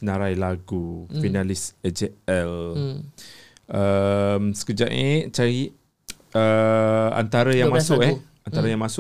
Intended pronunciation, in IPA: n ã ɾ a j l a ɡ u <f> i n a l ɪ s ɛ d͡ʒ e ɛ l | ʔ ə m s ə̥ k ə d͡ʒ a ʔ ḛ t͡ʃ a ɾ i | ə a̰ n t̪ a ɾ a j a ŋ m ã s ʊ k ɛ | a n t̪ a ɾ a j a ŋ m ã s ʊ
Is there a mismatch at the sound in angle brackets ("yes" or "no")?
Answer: no